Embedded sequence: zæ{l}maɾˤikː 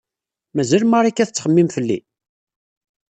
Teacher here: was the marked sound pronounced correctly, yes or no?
yes